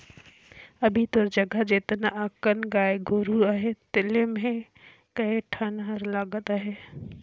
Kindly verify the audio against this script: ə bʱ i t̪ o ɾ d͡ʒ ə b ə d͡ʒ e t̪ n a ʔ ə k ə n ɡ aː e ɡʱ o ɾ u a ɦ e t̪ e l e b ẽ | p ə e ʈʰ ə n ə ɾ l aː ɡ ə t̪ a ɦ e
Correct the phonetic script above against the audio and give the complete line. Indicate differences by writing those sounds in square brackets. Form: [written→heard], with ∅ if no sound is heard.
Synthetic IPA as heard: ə bʱ i t̪ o ɾ d͡ʒ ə [b→ɡ] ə d͡ʒ e t̪ n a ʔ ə k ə n ɡ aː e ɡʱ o ɾ u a ɦ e t̪ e l e [b→m] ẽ | [p→k] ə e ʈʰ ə n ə ɾ l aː ɡ ə t̪ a ɦ e